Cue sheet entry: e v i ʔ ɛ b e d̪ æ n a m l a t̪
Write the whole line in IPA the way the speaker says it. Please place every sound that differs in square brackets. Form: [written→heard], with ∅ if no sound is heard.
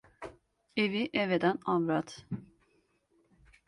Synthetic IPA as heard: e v i ʔ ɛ [b→v] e d̪ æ n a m [l→ɾ] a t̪